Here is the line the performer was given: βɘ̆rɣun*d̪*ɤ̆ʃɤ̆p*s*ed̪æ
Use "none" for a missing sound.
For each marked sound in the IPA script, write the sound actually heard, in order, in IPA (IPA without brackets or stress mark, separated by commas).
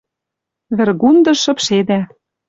d̪, ʃ